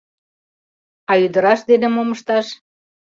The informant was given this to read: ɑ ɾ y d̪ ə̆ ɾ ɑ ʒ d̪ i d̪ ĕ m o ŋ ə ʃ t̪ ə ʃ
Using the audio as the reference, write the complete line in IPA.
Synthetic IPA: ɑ y d̪ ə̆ ɾ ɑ ʃ d̪ e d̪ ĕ m o m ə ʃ t̪ ɑ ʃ

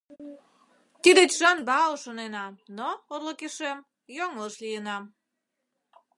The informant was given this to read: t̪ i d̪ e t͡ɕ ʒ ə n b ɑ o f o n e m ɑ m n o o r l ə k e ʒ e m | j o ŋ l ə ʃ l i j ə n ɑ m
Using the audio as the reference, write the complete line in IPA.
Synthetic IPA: t̪ i d̪ e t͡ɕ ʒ ɑ n b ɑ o ʃ o n e n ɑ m n o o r l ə k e ʃ e m | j o ŋ l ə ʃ l i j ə n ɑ m

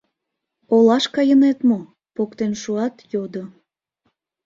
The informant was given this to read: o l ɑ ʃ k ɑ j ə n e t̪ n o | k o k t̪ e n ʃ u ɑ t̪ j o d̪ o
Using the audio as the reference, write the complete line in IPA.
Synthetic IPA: o l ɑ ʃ k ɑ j ə n e t̪ m o | p o k t̪ e n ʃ u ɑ t̪ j o d̪ o

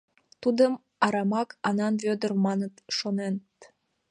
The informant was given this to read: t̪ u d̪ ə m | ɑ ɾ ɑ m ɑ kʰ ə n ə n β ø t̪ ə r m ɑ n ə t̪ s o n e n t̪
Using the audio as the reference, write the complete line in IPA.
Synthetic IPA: t̪ u d̪ ə m | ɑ ɾ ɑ m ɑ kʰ ɑ n ɑ n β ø d̪ ə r m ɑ n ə t̪ ʃ o n e n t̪

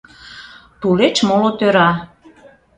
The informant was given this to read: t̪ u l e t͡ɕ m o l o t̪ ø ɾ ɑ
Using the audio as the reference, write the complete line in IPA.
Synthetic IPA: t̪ u l e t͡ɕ m o l o t̪ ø ɾ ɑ

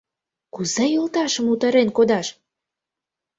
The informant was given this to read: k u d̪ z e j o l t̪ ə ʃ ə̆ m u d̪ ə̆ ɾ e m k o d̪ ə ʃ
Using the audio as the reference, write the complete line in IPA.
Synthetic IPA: k u z e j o l t̪ ɑ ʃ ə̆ m u t̪ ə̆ ɾ e n k o d̪ ɑ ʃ

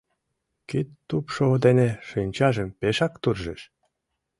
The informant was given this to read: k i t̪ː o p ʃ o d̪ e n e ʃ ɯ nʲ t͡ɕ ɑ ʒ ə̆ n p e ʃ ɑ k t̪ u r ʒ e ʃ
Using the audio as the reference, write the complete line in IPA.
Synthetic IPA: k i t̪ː u p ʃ o d̪ e n e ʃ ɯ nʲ t͡ɕ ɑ ʒ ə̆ m p e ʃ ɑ k t̪ u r ʒ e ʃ

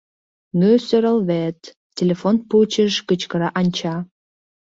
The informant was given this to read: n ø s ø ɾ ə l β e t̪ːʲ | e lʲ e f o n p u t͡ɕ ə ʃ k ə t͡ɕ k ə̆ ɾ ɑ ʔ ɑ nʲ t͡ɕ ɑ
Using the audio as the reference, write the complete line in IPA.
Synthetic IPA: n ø s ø ɾ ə l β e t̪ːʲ | e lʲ e f o n p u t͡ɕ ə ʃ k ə t͡ɕ k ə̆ ɾ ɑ ʔ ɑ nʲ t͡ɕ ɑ

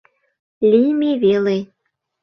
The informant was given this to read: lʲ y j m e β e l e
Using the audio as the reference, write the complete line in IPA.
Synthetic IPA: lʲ i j m e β e l e

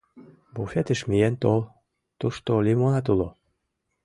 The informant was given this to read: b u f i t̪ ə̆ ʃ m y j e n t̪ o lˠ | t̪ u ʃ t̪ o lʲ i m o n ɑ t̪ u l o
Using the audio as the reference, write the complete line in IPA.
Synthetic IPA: b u f e t̪ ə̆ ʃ m i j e n t̪ o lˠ | t̪ u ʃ t̪ o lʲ i m o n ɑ t̪ u l o

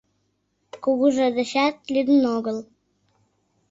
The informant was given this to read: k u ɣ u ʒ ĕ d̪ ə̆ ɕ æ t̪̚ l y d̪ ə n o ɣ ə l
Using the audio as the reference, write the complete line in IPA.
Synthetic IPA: k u ɣ u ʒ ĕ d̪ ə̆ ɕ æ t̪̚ l y d̪ ə n o ɣ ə l

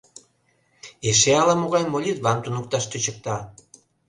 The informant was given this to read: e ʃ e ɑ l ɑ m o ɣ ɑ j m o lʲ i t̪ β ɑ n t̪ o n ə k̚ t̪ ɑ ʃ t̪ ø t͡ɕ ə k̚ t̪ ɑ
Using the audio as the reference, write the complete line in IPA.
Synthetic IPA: e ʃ e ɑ l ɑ m o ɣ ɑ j m o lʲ i t̪ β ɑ n t̪ u n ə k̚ t̪ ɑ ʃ t̪ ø t͡ɕ ə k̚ t̪ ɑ

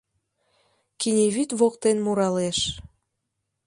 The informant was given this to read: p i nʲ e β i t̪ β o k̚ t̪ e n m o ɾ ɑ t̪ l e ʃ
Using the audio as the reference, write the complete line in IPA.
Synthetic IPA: k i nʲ e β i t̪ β o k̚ t̪ e n m u ɾ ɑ l e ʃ

